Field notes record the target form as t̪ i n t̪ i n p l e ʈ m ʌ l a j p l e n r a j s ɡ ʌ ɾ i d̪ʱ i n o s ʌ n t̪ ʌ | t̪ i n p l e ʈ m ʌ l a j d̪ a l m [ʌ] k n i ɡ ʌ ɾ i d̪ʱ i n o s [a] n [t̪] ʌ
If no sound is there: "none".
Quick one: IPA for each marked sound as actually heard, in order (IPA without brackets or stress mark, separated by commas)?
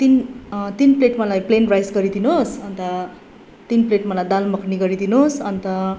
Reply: ʌ, ʌ, t̪